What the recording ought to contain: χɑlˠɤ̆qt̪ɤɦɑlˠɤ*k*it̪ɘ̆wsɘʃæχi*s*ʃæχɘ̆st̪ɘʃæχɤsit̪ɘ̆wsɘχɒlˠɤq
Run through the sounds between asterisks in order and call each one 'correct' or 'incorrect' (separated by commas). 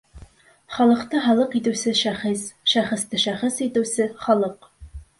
incorrect, correct